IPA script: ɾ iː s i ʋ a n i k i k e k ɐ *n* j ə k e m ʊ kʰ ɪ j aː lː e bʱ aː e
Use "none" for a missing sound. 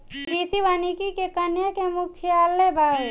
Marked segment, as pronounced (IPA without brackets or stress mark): n